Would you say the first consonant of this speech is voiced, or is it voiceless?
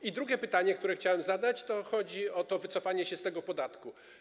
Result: voiced